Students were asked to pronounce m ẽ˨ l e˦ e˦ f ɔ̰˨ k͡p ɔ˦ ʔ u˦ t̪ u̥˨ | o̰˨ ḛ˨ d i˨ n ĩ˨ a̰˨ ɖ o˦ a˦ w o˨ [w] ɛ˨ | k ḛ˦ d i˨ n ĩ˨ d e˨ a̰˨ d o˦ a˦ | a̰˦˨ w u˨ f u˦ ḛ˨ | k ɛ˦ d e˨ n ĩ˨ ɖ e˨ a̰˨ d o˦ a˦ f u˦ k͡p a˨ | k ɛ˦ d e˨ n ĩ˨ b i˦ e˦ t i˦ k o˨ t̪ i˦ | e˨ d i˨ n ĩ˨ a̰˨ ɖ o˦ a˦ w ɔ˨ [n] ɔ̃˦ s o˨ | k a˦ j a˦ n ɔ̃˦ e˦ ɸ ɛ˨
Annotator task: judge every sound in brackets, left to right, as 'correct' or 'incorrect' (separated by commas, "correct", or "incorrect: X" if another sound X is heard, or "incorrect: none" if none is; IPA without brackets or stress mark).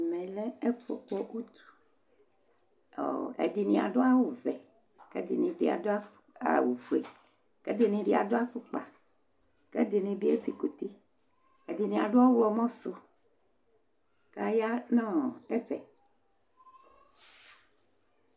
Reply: incorrect: v, incorrect: m